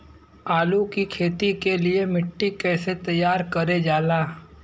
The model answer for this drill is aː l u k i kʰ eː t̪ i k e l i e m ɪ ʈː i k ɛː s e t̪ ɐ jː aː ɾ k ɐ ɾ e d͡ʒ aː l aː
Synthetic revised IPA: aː l u k i kʰ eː t̪ i k e l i e m ɪ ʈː i k ɛː s e t̪ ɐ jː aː ɾ k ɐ ɾ e d͡ʒ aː l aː